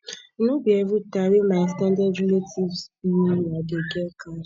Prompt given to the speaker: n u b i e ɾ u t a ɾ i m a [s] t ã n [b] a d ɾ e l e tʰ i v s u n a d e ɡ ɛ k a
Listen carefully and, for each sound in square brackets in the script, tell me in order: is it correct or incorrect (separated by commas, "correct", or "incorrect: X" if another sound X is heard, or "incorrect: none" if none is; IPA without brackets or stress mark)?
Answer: correct, incorrect: d